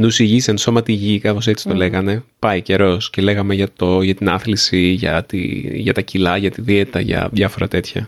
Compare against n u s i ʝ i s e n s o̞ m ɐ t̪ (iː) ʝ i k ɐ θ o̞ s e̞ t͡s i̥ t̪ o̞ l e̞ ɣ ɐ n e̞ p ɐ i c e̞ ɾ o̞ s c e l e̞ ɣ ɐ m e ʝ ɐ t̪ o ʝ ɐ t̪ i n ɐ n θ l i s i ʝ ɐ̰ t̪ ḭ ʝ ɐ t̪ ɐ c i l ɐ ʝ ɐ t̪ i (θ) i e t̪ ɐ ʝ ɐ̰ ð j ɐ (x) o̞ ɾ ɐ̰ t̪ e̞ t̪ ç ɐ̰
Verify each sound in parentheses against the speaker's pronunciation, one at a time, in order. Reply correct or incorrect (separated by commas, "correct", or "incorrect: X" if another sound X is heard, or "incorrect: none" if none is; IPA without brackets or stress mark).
incorrect: i, incorrect: ð, incorrect: f